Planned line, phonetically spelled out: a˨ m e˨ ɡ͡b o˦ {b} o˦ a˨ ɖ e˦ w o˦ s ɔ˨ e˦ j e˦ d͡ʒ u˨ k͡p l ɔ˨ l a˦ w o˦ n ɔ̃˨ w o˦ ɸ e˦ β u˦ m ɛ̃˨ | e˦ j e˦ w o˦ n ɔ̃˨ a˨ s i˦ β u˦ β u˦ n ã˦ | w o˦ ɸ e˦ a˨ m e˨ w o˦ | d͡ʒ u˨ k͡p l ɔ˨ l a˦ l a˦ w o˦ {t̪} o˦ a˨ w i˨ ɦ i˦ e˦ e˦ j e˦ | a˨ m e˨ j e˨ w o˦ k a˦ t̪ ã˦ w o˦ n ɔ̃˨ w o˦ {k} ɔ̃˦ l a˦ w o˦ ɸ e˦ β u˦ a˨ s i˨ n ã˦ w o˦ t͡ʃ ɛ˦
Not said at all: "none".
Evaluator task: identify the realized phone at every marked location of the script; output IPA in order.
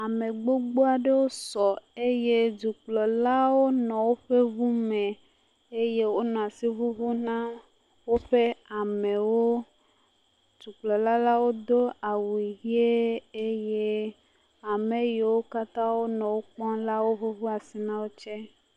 ɡ͡b, d̪, k͡p

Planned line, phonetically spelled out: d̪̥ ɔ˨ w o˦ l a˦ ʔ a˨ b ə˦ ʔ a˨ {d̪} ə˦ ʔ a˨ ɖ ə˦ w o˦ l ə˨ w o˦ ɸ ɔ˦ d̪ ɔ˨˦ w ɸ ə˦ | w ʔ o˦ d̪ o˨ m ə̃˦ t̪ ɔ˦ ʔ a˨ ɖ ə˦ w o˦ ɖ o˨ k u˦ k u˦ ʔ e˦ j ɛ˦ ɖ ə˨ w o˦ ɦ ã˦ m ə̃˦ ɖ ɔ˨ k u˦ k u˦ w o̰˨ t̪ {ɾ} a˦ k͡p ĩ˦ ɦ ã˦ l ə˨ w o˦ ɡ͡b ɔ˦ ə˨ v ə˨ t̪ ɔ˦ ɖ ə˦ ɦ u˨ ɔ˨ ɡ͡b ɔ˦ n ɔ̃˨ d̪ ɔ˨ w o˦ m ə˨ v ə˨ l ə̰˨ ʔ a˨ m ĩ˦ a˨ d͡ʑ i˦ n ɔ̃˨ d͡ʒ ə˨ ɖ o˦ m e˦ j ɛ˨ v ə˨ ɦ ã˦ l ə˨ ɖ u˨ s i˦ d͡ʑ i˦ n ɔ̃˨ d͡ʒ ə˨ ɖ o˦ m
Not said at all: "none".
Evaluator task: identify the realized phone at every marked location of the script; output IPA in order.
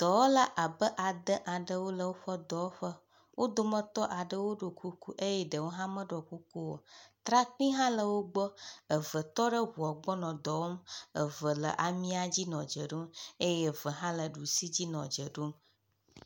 d̪, ɾ

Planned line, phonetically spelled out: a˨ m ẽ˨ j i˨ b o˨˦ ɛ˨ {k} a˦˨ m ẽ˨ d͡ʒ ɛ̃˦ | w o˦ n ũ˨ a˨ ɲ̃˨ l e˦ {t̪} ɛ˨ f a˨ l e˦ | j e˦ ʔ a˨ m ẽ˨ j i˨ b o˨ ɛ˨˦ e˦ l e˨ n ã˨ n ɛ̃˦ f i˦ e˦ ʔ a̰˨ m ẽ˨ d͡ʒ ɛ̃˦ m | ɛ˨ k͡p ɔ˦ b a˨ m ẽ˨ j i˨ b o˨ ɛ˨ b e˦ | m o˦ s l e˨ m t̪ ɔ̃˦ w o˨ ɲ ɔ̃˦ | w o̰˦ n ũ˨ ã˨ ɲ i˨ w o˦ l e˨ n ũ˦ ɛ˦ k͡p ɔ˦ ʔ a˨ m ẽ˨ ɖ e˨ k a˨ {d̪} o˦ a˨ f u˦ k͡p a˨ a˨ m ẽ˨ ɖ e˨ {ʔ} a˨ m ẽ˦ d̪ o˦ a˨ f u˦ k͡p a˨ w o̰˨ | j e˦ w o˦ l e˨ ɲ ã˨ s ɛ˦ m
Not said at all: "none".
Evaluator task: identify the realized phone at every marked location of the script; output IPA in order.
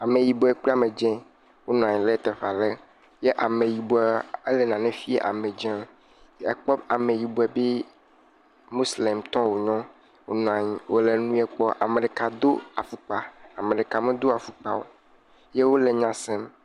k͡p, t̪, d̪, k

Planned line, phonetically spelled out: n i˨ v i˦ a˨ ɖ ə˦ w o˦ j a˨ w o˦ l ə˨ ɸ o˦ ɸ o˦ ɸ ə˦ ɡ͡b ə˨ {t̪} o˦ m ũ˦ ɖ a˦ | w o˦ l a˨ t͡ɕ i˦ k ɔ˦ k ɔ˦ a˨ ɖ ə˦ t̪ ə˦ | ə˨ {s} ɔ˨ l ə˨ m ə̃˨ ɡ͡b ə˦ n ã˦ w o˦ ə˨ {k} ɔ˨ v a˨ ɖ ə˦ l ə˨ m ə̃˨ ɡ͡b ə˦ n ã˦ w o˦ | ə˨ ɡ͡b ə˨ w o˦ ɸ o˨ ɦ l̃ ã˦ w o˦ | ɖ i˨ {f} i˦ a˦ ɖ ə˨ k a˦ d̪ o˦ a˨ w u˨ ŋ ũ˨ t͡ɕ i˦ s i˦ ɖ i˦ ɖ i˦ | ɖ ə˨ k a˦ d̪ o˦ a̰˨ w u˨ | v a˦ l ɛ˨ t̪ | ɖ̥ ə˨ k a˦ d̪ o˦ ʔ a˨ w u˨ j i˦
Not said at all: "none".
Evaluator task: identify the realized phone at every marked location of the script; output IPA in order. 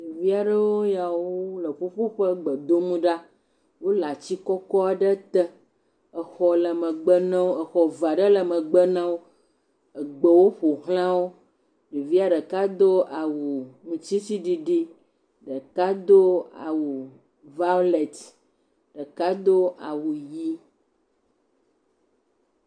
d̪, x, x, v

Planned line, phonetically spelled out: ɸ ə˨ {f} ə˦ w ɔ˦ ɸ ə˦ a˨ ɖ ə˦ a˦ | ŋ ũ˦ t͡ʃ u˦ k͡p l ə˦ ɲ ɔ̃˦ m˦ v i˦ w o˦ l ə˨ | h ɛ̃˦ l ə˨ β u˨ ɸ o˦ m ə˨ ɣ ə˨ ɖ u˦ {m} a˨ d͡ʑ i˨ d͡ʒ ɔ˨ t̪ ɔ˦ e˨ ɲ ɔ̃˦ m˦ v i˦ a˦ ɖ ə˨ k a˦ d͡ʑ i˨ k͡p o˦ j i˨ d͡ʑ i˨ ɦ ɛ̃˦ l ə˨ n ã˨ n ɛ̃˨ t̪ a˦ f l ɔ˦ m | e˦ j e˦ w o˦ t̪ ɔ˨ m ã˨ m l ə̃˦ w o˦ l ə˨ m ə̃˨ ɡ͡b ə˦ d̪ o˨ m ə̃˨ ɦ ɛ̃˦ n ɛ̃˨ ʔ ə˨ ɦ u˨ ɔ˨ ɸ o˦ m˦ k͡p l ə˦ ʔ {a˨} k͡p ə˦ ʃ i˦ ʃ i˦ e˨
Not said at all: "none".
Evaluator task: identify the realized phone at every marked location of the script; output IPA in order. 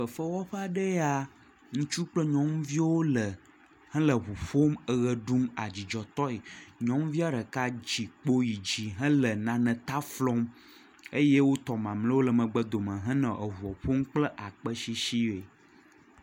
f, m, a˨

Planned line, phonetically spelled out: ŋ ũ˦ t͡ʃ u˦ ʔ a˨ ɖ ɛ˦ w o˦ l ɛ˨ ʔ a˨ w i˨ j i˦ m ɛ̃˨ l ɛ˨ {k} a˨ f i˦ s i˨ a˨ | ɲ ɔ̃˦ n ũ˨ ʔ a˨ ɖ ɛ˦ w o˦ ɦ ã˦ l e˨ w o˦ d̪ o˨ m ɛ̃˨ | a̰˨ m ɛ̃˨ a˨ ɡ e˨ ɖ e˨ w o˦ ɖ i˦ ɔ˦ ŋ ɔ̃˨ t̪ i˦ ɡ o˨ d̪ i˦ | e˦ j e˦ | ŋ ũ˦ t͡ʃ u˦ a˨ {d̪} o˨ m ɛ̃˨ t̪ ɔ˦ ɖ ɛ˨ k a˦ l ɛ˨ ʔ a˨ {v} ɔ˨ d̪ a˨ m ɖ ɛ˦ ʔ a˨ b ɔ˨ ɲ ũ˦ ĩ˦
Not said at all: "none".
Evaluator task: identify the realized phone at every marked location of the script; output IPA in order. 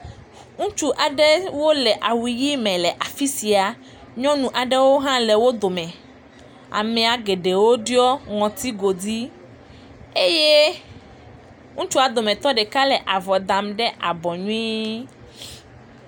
ʔ, d̪, v

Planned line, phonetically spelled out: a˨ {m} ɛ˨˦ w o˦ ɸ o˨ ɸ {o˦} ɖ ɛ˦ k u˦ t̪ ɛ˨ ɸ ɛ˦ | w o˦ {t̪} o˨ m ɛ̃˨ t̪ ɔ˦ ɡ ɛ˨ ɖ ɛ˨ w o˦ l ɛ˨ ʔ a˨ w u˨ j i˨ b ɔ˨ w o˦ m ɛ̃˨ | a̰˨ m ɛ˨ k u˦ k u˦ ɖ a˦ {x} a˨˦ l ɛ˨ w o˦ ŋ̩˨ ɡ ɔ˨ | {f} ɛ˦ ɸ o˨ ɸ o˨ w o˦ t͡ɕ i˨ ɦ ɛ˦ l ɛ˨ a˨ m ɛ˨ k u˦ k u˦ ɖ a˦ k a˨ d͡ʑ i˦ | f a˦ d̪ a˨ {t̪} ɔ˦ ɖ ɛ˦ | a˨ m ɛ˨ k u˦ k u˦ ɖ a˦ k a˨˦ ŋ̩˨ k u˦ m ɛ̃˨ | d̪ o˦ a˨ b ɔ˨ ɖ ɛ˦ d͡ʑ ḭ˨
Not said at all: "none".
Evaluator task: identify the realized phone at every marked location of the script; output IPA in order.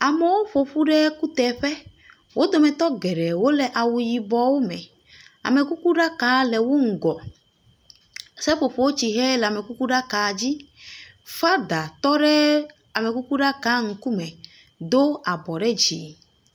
m, u˦, d̪, k, s, t̪

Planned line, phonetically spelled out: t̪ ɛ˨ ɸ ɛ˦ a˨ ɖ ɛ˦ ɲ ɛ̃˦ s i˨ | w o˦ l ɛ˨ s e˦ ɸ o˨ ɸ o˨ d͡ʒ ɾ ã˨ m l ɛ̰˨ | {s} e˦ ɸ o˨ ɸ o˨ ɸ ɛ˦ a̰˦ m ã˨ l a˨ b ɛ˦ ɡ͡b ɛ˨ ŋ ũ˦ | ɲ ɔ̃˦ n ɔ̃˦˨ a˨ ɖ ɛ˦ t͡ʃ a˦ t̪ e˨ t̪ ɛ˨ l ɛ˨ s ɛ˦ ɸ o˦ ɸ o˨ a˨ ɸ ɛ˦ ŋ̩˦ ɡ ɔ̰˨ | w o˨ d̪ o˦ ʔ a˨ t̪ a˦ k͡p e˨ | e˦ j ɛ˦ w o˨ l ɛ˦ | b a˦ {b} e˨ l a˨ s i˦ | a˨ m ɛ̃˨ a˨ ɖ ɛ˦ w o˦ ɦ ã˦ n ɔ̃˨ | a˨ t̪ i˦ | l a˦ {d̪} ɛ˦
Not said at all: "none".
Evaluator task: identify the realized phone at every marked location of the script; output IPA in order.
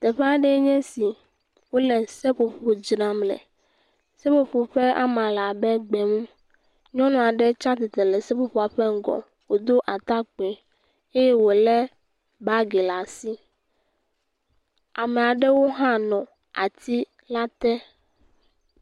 s, ɡ, t̪

